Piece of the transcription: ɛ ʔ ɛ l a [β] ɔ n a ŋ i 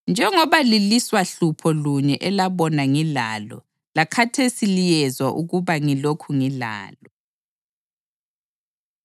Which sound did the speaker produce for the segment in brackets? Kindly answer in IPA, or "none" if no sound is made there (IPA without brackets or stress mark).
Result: β